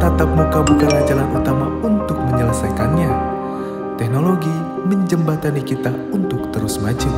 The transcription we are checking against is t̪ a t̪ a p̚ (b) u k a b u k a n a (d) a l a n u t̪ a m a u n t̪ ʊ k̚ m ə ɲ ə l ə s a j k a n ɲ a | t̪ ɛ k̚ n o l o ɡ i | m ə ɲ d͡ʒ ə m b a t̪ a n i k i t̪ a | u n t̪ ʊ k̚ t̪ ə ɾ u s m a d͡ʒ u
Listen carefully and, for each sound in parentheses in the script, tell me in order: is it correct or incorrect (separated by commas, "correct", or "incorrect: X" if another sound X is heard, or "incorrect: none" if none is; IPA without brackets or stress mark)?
incorrect: m, incorrect: d͡ʒ